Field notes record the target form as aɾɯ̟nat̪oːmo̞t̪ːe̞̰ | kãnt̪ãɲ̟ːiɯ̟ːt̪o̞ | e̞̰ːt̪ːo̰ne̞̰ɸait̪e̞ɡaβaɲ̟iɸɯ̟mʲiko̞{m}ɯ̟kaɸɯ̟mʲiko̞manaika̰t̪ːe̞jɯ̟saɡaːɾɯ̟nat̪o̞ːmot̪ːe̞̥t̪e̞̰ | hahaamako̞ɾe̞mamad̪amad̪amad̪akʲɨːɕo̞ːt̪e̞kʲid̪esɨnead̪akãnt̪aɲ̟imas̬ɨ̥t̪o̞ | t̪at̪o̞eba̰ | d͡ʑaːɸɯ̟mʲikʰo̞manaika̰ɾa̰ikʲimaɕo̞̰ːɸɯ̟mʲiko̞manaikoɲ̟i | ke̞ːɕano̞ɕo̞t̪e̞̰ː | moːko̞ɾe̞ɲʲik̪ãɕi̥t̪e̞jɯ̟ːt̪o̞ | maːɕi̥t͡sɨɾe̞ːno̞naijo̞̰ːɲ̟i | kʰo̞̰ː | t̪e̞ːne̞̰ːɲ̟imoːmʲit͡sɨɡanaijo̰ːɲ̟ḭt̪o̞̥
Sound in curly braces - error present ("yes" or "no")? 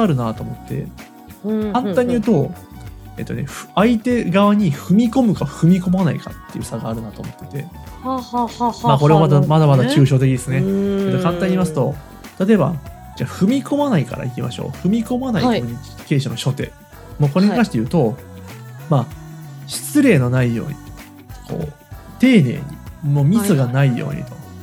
no